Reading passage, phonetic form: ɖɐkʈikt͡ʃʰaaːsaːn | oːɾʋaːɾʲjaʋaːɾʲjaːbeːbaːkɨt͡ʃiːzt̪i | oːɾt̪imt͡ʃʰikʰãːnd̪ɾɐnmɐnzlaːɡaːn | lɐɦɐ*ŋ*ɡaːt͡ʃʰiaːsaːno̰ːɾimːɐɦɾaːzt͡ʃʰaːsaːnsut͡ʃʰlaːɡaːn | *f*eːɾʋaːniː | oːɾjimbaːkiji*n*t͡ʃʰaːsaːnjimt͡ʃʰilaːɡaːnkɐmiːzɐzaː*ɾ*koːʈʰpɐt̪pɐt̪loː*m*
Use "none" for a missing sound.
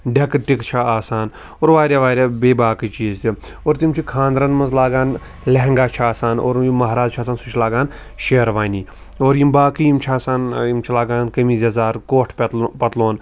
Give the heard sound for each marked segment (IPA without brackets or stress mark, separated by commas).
ŋ, ʃ, m, ɾ, n